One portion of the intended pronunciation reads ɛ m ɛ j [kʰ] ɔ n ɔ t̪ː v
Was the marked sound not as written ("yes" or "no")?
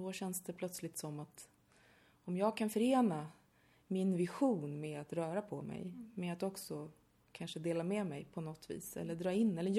yes